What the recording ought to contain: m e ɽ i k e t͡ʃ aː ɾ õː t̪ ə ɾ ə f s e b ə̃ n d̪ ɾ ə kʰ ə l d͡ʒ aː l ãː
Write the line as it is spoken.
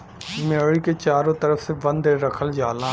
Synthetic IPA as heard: m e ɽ i k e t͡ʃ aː ɾ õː t̪ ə ɾ ə f s e b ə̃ n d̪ ɾ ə kʰ ə l d͡ʒ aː l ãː